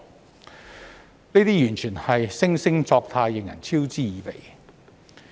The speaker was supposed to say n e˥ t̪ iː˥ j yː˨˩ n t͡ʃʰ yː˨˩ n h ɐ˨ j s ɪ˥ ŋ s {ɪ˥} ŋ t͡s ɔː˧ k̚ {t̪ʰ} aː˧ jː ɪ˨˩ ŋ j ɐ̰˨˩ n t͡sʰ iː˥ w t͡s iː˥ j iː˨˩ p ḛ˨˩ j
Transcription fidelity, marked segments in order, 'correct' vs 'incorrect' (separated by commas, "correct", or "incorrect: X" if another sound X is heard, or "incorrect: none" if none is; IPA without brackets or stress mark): correct, correct